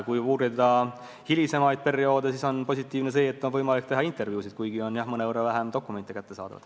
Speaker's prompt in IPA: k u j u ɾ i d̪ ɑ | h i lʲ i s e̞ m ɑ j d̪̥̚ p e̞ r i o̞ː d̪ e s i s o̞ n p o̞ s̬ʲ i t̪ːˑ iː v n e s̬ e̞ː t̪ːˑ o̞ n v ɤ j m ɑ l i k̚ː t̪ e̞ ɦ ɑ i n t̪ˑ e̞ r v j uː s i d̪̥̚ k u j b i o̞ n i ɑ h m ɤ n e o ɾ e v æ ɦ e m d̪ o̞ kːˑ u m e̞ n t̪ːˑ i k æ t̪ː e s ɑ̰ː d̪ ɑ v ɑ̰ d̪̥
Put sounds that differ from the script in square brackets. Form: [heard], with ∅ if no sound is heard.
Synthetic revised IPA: k u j [uː] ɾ i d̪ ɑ | h i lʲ i s e̞ m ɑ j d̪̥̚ p e̞ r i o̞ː d̪ e s i s o̞ n p o̞ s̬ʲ i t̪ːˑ iː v n e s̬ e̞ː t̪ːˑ o̞ n v ɤ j m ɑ l i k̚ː t̪ e̞ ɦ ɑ i n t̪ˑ e̞ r v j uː s i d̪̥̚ k u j [ɡ] i o̞ n [j] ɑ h m ɤ n e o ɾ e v æ ɦ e m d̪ o̞ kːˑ u m e̞ n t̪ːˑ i k æ t̪ː e s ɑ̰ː d̪ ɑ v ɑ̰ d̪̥